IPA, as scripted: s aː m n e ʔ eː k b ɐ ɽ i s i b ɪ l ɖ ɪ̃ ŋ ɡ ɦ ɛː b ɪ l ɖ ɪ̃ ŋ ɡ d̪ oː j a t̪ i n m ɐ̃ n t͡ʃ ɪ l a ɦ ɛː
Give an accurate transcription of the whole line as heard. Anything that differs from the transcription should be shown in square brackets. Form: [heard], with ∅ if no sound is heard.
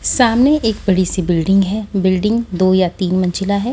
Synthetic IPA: s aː m n e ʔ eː k b ɐ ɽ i s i b ɪ l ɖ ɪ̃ ŋ ɡ ɦ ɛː b ɪ l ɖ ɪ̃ ŋ ɡ d̪ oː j a t̪ [iː] n m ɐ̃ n t͡ʃ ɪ l a ɦ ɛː

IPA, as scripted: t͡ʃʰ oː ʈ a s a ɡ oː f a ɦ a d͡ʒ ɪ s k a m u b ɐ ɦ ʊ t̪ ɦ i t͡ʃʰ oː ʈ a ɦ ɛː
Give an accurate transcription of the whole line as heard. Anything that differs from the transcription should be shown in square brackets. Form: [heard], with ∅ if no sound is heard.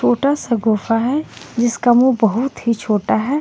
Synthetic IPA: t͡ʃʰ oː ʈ a s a ɡ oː f a ɦ [ɛ] d͡ʒ ɪ s k a m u b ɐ ɦ ʊ t̪ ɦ i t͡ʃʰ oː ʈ a ɦ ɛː

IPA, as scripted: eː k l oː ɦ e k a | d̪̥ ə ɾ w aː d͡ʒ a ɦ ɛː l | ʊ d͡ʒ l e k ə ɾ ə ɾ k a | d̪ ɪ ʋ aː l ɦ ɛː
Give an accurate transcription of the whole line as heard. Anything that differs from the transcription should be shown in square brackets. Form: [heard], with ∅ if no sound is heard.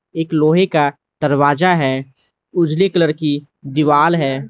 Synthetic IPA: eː k l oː ɦ e k a | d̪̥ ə ɾ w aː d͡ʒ a ɦ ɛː [∅] | ʊ d͡ʒ l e k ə [l] ə ɾ k [i] | d̪ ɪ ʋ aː l ɦ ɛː

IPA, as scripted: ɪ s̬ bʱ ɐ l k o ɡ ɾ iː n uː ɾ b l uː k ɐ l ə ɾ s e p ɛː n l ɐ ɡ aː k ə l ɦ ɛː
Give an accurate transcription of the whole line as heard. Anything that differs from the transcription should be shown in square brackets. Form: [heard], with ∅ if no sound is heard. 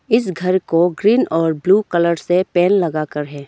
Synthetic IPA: ɪ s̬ [ɡʱ] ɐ [ɾ] k o ɡ ɾ iː n [ɔː] ɾ b l uː k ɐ l ə ɾ s e p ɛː n l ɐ ɡ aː k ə [ɾ] ɦ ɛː

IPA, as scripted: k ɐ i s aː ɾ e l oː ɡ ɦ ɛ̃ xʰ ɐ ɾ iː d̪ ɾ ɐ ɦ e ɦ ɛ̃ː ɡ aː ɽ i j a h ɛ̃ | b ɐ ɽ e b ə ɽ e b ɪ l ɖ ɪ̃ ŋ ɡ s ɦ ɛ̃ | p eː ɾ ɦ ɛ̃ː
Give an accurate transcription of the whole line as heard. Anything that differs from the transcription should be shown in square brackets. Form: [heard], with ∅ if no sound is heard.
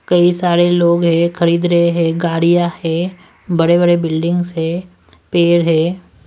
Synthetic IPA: k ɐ i s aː ɾ e l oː ɡ ɦ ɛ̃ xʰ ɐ ɾ iː d̪ ɾ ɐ ɦ e ɦ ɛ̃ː ɡ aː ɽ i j a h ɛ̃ | b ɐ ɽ e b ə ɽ e b ɪ l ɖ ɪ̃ ŋ ɡ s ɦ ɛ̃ | p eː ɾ ɦ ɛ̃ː

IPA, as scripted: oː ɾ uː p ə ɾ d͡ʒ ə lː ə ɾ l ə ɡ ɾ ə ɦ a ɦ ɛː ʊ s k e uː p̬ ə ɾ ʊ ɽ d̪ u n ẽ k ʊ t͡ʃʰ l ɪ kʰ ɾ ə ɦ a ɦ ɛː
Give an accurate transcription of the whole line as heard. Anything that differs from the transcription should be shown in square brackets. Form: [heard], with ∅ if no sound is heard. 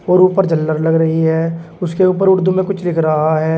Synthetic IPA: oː ɾ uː p ə ɾ d͡ʒ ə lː ə ɾ l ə ɡ ɾ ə ɦ [i] ɦ ɛː ʊ s k e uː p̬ ə ɾ ʊ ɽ d̪ u [m] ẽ k ʊ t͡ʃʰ l ɪ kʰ ɾ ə ɦ a ɦ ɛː

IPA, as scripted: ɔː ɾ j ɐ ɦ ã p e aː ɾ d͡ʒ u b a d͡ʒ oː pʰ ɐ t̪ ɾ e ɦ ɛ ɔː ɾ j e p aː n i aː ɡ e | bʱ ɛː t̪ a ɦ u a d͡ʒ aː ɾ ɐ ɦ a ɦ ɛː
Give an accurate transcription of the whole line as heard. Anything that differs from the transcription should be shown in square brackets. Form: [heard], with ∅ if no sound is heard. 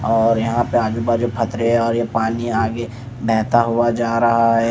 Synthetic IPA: ɔː ɾ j ɐ ɦ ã p e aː [∅] d͡ʒ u b a d͡ʒ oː pʰ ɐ t̪ ɾ e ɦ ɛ ɔː ɾ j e p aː n i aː ɡ e | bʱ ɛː t̪ a ɦ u a d͡ʒ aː ɾ ɐ ɦ a ɦ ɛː

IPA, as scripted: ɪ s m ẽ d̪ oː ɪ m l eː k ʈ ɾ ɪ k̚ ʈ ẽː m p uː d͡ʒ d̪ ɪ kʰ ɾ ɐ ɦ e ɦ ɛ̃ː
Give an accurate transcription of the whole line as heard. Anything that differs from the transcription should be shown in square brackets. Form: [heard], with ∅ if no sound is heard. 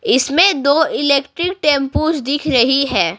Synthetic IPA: ɪ s m ẽ d̪ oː ɪ [∅] l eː k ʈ ɾ ɪ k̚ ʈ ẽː m p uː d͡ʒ d̪ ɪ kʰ ɾ ɐ ɦ [i] ɦ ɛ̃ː

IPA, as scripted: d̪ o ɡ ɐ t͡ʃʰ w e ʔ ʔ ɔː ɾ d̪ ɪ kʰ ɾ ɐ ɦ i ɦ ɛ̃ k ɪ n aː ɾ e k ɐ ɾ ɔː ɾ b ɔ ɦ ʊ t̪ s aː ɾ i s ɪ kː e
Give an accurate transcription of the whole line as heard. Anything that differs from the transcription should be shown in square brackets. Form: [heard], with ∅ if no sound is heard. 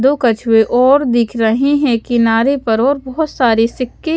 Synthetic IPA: d̪ o [k] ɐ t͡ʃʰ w e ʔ ʔ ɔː ɾ d̪ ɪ kʰ ɾ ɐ ɦ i ɦ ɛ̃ k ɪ n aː ɾ e [p] ɐ ɾ ɔː ɾ b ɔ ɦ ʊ t̪ s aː ɾ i s ɪ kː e

